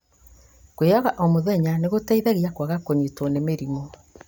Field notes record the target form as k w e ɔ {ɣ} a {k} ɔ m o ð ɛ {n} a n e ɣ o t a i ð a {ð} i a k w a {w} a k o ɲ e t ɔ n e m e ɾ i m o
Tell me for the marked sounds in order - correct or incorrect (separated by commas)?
correct, incorrect, incorrect, incorrect, incorrect